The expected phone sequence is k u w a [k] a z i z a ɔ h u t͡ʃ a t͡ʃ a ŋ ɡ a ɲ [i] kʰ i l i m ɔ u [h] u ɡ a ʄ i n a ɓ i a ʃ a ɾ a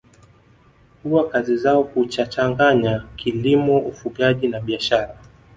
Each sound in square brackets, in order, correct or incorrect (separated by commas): correct, incorrect, incorrect